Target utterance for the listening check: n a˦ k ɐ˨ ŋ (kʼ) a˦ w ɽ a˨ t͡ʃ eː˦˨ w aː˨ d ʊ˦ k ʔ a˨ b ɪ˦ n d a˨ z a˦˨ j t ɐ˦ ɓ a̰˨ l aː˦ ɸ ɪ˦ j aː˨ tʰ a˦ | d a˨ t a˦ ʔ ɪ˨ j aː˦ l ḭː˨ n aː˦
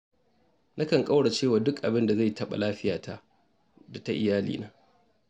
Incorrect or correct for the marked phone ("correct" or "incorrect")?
correct